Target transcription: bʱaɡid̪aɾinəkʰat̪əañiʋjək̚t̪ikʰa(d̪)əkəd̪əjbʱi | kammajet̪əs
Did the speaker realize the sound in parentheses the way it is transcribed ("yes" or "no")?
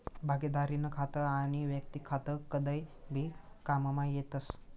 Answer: no